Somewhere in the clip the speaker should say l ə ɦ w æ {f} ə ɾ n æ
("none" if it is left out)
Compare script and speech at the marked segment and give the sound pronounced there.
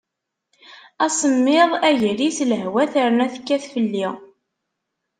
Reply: θ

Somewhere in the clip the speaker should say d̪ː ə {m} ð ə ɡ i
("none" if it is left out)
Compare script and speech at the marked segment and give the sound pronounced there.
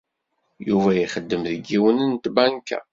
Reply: m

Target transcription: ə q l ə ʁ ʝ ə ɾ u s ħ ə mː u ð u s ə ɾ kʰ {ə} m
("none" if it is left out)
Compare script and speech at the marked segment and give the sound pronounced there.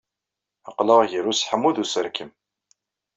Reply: ə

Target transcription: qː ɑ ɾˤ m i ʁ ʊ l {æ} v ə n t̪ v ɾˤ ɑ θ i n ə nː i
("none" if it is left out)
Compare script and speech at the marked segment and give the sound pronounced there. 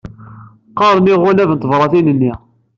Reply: æ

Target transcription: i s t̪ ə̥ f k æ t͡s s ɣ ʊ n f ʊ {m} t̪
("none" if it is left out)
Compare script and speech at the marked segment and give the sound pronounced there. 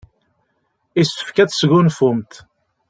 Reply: m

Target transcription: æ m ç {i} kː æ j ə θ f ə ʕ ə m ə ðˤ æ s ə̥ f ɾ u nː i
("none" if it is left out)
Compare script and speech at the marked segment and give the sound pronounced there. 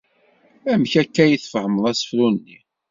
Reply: æ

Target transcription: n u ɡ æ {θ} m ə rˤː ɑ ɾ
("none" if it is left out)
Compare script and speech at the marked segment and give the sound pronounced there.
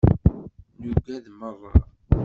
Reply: ð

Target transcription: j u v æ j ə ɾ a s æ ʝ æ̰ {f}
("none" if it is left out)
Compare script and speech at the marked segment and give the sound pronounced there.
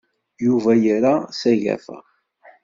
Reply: f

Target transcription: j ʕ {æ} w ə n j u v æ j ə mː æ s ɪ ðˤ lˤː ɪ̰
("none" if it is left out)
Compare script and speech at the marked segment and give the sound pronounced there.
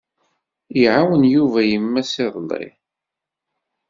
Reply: a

